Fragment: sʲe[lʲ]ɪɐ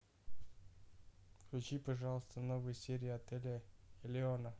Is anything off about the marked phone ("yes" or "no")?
yes